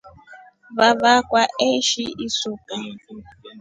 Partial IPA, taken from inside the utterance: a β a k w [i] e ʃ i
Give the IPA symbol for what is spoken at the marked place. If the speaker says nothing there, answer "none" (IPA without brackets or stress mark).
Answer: a